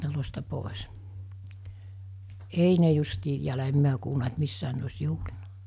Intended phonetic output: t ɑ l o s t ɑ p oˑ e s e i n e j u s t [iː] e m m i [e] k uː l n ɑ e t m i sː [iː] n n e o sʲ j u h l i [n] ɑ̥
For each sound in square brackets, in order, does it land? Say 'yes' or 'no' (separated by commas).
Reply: yes, no, no, yes